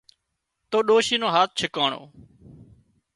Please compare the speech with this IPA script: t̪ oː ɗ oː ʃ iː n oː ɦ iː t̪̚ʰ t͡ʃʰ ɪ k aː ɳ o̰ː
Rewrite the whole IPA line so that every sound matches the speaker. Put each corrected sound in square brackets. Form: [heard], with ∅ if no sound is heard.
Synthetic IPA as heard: t̪ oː ɗ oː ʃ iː n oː ɦ [aː] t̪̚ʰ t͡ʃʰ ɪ k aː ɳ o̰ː